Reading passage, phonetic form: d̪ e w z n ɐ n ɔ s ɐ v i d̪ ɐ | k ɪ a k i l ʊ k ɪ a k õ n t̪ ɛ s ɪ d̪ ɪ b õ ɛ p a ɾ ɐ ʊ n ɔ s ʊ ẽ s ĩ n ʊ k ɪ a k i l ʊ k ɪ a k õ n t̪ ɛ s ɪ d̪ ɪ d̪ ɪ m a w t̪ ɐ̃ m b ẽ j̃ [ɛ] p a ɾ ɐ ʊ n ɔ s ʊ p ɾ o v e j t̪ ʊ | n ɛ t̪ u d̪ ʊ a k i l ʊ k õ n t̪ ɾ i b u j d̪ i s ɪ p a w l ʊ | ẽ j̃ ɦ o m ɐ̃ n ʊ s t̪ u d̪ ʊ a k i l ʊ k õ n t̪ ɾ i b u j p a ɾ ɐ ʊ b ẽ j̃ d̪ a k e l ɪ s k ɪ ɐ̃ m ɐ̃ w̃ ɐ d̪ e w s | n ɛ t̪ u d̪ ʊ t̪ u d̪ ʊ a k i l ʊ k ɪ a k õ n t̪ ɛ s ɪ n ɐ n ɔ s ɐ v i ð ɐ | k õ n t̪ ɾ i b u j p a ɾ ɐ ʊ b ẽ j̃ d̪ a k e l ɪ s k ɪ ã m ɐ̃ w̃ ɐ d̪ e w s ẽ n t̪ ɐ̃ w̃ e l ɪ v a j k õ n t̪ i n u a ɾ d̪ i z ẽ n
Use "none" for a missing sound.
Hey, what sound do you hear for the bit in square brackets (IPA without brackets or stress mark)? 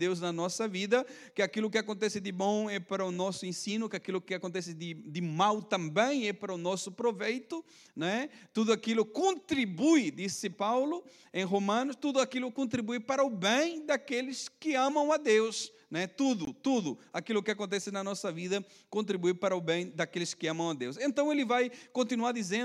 ɛ